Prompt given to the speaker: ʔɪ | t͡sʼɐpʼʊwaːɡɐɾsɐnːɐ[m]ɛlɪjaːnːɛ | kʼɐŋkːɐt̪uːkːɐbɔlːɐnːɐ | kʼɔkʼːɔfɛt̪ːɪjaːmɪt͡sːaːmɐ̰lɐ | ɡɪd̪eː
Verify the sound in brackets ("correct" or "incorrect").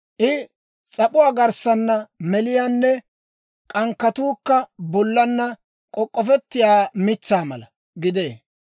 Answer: correct